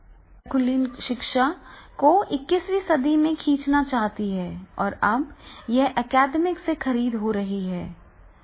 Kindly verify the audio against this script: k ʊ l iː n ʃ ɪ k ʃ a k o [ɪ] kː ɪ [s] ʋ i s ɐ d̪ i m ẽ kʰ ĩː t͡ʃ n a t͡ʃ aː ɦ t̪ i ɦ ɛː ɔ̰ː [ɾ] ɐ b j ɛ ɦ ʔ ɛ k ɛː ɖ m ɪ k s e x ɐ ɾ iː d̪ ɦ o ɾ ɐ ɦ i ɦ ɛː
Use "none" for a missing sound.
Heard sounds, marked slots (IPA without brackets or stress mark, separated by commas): ɪ, s, ɾ